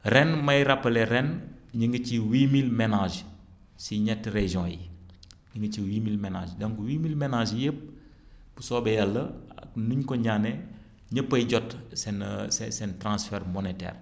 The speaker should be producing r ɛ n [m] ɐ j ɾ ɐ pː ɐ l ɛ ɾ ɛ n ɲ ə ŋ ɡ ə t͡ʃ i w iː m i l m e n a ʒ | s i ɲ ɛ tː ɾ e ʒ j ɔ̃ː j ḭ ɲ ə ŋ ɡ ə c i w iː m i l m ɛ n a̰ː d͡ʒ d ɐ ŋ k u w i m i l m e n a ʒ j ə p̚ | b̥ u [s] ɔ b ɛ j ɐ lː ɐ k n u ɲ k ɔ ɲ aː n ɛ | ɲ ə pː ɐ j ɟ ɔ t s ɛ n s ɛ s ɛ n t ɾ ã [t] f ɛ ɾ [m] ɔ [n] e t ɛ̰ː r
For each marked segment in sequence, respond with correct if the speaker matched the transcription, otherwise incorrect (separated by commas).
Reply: correct, correct, incorrect, correct, correct